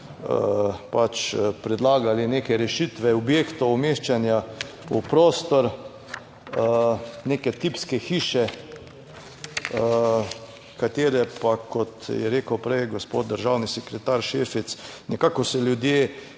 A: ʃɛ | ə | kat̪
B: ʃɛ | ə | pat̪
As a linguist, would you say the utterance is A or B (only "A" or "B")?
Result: A